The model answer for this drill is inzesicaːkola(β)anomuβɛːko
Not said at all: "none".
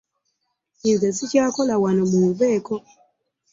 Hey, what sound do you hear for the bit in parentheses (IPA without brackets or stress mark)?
w